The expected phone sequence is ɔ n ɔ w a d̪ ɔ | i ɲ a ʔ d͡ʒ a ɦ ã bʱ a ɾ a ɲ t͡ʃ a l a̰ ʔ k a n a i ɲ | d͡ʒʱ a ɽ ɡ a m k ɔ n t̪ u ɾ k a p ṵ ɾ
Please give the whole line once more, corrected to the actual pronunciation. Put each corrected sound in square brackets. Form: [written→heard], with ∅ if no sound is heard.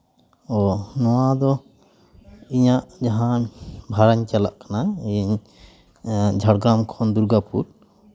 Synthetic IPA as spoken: ɔ n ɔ w a d̪ ɔ | i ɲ a ʔ d͡ʒ a ɦ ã bʱ a ɾ a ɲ t͡ʃ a l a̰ ʔ k a n a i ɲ | d͡ʒʱ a ɽ ɡ a m [k→kʰ] ɔ n [t̪→d̪] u ɾ [k→ɡ] a p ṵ ɾ